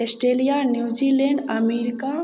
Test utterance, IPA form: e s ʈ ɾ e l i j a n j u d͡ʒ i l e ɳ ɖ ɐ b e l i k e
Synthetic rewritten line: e s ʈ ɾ e l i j a n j u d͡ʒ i l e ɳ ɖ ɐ m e ɾ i k a